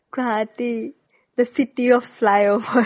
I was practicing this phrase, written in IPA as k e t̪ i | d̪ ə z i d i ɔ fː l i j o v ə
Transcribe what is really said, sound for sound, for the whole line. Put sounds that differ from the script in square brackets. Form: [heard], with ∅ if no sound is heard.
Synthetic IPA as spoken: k [a] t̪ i | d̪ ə [s] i [t] i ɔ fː l [a] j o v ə